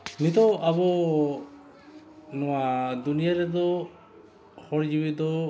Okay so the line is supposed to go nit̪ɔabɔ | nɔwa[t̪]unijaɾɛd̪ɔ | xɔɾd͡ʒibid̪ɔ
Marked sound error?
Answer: yes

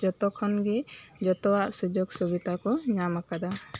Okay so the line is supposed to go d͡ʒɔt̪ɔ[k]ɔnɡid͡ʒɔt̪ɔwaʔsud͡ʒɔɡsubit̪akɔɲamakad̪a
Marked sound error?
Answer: yes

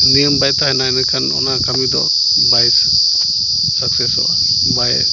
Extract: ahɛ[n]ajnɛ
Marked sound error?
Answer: no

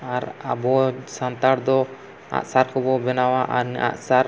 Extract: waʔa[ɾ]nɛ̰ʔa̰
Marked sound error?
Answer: no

